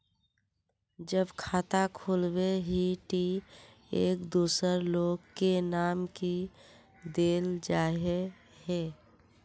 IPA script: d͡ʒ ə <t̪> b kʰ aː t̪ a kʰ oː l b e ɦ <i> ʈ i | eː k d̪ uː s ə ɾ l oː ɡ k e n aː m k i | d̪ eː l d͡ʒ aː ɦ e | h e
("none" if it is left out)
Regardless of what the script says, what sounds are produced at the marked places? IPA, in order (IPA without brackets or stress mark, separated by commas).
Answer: none, i